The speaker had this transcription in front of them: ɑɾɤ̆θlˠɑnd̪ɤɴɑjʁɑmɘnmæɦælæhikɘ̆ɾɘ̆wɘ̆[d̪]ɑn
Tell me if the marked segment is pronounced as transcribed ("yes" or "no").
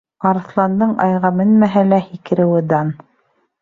yes